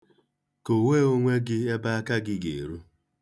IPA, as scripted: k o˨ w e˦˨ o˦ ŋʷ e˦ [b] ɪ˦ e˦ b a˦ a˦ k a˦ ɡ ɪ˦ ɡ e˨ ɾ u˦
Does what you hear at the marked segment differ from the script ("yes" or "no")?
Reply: yes